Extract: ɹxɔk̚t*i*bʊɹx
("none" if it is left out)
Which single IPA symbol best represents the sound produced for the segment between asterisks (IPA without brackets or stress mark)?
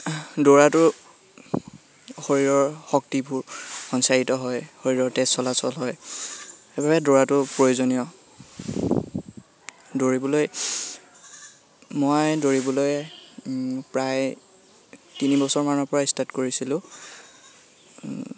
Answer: i